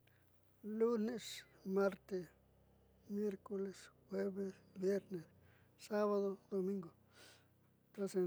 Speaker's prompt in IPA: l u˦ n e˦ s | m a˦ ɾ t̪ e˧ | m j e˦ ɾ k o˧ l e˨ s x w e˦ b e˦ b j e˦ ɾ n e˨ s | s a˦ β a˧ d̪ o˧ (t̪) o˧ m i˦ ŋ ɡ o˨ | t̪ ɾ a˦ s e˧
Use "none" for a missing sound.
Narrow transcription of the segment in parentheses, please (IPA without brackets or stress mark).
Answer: d̪